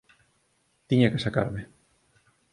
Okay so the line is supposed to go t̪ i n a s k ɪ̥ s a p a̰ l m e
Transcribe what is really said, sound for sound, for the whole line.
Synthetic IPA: t̪ i ɲ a k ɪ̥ s a k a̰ ɾ m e